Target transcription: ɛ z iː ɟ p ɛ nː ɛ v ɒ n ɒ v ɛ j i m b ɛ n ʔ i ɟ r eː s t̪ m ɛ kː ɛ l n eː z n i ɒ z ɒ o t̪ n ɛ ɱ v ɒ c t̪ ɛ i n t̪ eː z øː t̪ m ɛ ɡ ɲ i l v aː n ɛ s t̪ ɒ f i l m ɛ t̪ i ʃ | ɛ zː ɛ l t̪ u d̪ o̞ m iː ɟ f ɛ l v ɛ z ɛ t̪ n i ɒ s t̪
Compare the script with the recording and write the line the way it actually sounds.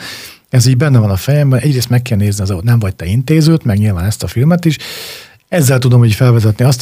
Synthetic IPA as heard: ɛ z iː ɟ b ɛ nː ɛ v ɒ n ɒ f ɛ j ɛ m b ɛ n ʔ ɛ ɟ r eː s t̪ m ɛ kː ɛ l n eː z n i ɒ z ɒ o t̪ n ɛ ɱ v ɒ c t̪ ɛ i n t̪ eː z øː t̪ m ɛ ɡ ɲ i l v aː n ɛ s t̪ ɒ f i l m ɛ t̪ i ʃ | ɛ zː ɛ l t̪ u d̪ o̞ m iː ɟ f ɛ l v ɛ z ɛ t̪ n i ɒ s t̪